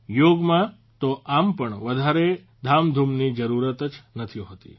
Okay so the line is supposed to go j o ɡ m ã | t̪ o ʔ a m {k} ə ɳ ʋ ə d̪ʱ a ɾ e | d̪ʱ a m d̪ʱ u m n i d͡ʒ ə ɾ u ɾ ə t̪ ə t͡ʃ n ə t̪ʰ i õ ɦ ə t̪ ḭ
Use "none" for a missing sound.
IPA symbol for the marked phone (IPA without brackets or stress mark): p